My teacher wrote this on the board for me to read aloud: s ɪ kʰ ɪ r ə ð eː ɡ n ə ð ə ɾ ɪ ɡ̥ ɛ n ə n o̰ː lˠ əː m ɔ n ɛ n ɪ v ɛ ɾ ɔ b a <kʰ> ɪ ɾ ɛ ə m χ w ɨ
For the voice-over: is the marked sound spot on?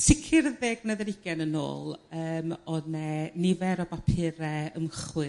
no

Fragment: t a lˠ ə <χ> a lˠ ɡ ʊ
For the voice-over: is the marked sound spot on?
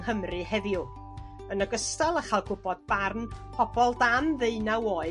yes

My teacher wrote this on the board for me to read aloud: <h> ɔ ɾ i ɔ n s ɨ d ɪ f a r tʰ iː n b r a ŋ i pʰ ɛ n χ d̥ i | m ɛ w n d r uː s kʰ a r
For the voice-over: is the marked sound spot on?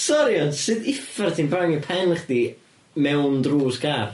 no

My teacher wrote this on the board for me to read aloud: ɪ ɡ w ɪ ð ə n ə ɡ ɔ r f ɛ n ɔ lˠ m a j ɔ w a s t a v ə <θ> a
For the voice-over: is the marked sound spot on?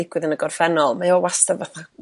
yes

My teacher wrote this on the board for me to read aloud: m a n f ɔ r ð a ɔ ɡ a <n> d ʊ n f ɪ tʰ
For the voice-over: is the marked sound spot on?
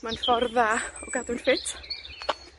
no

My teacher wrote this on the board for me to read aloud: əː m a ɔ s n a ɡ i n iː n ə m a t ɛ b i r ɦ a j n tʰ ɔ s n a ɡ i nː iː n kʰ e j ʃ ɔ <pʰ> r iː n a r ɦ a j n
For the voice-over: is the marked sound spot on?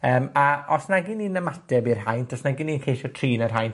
no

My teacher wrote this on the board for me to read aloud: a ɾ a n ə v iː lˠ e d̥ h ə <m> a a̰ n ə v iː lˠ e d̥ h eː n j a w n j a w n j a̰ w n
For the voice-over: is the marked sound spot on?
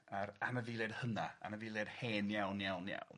no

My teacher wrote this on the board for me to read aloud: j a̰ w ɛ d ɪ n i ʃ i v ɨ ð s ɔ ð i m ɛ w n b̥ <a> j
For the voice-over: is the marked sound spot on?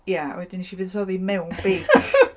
no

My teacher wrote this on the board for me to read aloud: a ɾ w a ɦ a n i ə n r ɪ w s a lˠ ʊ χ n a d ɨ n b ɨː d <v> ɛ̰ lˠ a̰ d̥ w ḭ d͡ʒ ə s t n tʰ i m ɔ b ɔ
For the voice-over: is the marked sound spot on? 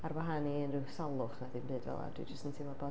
yes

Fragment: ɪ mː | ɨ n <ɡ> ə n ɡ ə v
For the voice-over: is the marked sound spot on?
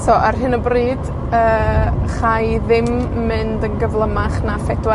no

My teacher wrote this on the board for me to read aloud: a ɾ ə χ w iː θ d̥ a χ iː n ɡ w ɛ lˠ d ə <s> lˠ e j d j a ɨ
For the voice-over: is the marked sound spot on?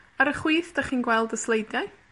yes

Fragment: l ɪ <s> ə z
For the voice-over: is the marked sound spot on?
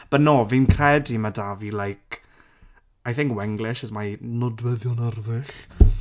no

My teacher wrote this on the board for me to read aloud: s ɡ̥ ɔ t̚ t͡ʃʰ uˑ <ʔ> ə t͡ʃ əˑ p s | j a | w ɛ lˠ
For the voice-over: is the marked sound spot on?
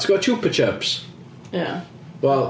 no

